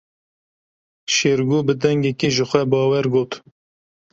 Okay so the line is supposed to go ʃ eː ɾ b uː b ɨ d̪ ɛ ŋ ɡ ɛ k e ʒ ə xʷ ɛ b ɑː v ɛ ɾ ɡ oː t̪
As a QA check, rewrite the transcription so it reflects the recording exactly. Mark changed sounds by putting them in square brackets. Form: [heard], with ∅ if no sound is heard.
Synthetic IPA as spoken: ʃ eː ɾ [ɡ] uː b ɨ d̪ ɛ ŋ ɡ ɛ k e ʒ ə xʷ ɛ b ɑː [w] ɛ ɾ ɡ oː t̪